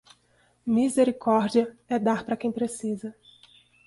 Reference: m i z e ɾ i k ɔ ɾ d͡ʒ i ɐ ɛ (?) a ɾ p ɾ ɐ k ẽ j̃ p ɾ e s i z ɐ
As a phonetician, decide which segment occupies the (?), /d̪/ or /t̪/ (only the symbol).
d̪